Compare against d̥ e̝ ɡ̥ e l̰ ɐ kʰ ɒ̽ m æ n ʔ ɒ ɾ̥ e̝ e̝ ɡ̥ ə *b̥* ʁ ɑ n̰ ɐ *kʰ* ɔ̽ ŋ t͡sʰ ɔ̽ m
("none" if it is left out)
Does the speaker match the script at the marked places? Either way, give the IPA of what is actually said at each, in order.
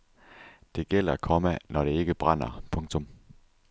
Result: b̥, pʰ

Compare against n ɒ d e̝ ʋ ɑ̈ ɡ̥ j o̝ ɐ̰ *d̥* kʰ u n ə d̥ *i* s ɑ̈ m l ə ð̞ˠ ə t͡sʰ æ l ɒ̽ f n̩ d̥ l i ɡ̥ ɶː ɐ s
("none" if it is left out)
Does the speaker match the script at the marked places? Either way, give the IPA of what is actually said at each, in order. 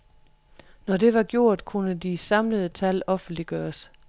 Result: d̥, i

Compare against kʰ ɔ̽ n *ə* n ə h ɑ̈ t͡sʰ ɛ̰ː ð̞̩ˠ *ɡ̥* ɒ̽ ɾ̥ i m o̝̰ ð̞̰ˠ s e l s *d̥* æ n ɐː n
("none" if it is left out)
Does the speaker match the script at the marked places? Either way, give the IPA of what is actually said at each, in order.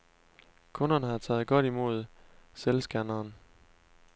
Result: ɐ, ɡ̥, ɡ̥

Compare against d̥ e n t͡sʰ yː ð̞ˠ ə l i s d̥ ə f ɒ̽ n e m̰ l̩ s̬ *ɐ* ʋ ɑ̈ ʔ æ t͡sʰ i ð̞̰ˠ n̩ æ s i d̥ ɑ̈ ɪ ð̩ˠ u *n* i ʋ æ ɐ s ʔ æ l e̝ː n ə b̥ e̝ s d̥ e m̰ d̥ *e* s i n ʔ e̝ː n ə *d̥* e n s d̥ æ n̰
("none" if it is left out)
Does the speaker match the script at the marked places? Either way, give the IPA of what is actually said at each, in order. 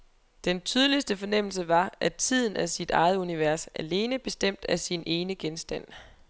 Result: ə, n, æ, ɡ̥

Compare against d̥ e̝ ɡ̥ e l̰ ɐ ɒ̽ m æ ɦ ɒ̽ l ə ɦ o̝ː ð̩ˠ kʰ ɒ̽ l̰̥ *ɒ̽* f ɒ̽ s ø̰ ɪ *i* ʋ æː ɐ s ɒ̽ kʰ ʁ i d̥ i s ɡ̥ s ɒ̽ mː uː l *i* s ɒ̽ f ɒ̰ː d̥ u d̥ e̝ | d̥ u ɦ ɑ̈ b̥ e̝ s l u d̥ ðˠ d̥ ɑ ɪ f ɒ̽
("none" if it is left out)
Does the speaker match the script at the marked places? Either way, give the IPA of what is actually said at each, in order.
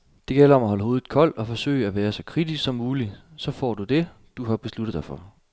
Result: ɒ̽, æ, i

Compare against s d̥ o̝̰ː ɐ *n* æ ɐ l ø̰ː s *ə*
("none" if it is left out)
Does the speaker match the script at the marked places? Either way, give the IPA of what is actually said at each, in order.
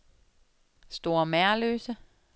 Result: m, ə

